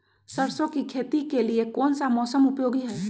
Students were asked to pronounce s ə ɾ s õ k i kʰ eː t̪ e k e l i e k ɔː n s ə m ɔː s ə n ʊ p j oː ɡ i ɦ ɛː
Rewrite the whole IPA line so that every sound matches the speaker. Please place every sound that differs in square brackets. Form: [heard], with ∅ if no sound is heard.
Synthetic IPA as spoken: s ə ɾ s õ k i kʰ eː t̪ [i] k e l i e k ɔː n s [a] m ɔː s ə [m] ʊ p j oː ɡ i ɦ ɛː